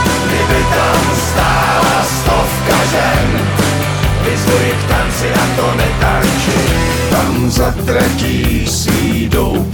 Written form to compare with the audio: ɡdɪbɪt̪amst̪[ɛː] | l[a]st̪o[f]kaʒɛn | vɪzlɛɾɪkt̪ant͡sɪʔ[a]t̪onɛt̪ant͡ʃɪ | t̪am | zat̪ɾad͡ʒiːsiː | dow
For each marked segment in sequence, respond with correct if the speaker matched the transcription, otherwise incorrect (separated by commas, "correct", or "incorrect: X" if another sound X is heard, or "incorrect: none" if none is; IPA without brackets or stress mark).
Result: incorrect: aː, correct, correct, correct